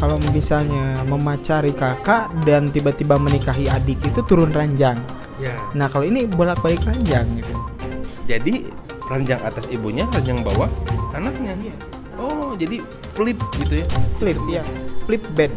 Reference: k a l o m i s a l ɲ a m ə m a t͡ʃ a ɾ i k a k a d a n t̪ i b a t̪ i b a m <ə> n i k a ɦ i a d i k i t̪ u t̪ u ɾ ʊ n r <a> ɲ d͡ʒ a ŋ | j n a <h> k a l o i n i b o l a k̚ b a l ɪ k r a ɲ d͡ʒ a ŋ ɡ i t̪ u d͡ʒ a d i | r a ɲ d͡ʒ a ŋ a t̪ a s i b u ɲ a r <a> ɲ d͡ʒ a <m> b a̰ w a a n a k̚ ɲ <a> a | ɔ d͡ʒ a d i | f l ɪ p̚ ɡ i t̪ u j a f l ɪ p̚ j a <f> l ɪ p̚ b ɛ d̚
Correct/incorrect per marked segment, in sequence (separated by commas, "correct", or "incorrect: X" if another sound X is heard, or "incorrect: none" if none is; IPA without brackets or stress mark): correct, correct, correct, correct, incorrect: ŋ, correct, correct